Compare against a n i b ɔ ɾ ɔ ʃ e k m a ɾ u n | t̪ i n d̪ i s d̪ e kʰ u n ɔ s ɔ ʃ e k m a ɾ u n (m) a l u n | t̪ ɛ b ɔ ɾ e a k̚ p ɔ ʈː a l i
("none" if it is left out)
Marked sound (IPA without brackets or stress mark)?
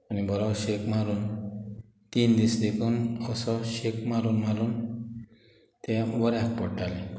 m